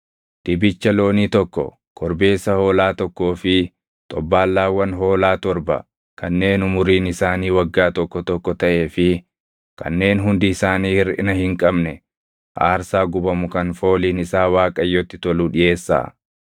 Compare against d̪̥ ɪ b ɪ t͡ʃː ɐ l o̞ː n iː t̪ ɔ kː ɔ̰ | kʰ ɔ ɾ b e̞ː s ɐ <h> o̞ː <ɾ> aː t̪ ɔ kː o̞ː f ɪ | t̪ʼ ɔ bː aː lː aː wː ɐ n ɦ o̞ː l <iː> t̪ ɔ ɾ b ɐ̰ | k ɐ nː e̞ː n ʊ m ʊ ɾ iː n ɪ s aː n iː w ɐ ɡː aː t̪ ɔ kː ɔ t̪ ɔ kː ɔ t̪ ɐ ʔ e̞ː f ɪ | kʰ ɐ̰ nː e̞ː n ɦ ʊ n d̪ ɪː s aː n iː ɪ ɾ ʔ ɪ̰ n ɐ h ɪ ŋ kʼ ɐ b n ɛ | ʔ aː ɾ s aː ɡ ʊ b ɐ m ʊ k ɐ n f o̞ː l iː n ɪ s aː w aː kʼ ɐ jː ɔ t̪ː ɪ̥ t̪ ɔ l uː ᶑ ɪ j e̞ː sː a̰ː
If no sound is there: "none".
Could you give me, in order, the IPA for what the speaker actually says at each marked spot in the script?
h, l, aː

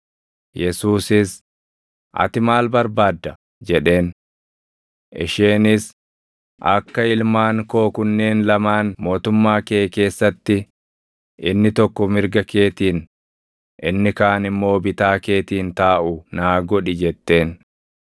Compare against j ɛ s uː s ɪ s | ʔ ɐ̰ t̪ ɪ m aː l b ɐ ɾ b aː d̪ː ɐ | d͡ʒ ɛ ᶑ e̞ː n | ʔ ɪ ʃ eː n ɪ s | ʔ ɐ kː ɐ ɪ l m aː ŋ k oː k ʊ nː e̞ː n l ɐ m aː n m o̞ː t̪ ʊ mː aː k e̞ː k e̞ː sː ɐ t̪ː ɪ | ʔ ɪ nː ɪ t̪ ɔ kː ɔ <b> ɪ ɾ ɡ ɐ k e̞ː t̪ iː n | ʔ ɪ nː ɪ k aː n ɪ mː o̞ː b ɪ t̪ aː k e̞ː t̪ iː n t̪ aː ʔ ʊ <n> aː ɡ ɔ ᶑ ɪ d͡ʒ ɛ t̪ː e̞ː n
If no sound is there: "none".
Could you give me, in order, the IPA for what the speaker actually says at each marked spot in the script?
m, n

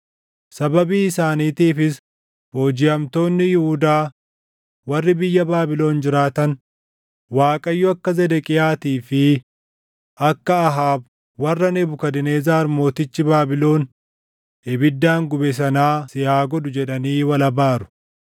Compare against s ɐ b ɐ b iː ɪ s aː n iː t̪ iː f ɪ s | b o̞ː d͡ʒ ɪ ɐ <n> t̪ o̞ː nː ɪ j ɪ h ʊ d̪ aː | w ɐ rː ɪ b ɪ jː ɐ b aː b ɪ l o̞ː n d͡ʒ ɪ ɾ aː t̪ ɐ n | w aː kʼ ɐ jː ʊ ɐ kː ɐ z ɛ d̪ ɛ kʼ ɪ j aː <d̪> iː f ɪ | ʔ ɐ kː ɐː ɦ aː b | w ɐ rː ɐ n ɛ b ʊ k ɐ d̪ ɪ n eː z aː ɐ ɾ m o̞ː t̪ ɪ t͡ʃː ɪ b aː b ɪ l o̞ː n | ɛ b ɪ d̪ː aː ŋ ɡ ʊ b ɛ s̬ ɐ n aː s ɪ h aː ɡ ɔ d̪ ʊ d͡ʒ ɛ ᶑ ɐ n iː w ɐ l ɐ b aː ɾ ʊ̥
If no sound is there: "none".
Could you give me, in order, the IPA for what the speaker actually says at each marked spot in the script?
m, t̪

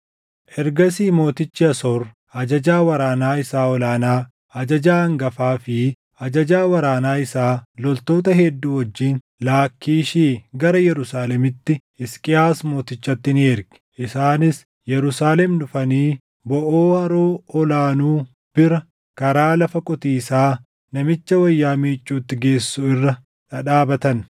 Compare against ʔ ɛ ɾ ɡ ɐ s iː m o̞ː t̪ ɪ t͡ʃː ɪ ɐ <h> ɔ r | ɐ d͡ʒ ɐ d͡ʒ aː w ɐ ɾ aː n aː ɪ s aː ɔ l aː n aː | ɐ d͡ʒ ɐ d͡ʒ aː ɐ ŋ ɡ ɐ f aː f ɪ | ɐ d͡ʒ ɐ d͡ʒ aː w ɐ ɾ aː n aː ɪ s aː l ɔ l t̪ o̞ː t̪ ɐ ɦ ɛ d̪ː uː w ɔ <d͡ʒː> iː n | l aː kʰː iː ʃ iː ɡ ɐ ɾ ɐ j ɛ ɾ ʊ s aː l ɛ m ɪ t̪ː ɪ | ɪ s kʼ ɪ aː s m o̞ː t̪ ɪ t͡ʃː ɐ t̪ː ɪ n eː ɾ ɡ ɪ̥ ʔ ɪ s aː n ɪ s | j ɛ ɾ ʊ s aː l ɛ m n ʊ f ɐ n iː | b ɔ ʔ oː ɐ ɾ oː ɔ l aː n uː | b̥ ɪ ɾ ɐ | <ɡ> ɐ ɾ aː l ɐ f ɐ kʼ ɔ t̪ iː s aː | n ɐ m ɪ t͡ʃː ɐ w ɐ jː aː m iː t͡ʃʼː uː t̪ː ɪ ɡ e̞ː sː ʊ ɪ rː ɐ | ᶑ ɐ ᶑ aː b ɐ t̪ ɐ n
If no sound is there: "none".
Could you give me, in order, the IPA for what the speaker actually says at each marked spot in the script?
s, d͡ʒː, k

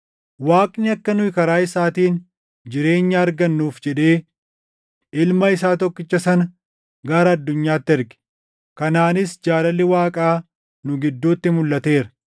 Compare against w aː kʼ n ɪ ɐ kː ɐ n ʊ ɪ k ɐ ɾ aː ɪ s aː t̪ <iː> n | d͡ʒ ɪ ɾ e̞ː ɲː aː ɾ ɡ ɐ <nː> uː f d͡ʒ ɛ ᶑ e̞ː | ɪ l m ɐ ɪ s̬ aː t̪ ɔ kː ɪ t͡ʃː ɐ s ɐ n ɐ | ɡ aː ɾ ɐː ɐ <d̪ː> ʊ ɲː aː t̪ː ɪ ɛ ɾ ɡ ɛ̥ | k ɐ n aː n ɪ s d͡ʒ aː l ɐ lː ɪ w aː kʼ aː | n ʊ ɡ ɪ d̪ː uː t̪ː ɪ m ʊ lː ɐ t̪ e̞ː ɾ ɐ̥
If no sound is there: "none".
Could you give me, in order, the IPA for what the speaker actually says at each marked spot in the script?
iː, nː, d̪ː

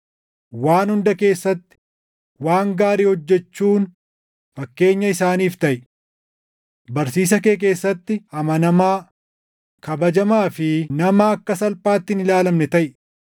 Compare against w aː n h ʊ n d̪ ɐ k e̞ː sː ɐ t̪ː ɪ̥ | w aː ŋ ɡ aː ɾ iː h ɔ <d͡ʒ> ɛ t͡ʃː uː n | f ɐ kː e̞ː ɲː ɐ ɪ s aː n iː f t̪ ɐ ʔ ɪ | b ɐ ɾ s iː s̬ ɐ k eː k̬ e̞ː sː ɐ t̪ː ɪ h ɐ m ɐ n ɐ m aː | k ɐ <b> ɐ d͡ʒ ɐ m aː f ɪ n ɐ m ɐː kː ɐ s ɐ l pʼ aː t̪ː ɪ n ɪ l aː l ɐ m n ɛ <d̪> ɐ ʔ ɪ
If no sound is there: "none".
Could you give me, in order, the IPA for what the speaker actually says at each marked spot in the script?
d͡ʒː, b, t̪

